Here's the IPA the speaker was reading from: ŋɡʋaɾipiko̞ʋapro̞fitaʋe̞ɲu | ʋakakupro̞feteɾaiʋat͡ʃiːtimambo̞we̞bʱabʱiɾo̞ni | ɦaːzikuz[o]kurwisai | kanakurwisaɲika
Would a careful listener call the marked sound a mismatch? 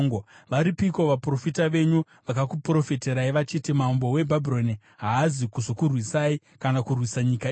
no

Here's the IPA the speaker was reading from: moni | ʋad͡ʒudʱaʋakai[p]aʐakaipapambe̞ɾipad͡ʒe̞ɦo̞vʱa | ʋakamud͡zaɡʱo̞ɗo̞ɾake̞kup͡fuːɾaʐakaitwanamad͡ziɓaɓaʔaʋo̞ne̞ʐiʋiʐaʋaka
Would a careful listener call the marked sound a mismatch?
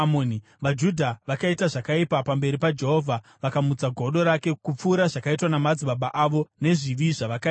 yes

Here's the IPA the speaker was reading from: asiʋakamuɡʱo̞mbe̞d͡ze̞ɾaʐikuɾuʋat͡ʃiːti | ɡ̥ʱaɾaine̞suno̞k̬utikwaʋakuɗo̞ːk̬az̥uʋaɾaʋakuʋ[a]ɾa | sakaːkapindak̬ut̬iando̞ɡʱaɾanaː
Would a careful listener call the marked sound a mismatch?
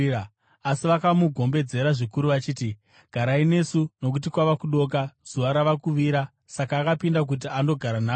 yes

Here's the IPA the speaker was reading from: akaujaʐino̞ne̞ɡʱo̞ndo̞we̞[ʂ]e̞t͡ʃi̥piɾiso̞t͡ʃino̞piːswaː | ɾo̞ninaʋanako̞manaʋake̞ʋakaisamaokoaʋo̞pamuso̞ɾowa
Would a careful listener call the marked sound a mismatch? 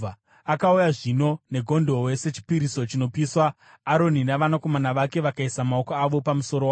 yes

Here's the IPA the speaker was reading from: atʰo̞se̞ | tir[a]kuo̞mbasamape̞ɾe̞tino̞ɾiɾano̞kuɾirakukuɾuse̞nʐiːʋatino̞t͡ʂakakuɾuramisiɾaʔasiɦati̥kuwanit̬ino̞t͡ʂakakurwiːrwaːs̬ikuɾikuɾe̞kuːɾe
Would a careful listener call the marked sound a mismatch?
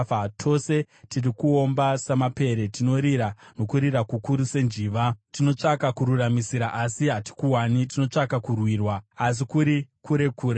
yes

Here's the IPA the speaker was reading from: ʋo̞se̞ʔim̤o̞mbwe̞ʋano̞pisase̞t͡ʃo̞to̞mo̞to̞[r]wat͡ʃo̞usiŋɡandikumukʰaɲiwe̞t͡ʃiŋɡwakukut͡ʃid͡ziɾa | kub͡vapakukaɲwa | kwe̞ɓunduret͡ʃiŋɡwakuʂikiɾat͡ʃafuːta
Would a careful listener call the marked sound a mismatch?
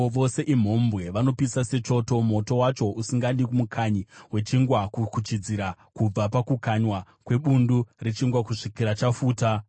yes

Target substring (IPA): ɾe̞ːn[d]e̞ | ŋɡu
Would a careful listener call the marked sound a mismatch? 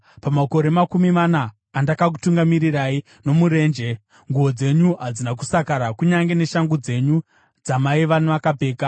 yes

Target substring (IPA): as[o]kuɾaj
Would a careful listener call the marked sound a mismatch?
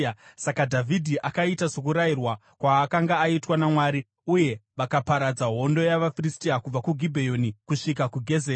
no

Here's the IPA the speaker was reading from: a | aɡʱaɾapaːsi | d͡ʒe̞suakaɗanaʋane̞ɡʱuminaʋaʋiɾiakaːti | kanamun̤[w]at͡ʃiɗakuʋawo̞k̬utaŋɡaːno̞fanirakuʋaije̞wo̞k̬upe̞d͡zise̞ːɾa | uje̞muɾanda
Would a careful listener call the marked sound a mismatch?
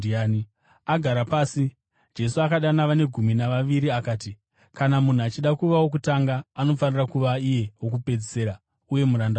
yes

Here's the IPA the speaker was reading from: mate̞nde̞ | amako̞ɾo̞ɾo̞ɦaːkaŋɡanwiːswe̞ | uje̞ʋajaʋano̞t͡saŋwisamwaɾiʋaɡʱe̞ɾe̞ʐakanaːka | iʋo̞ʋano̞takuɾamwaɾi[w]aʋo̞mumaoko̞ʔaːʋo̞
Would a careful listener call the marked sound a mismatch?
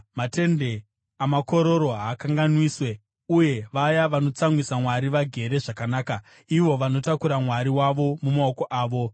no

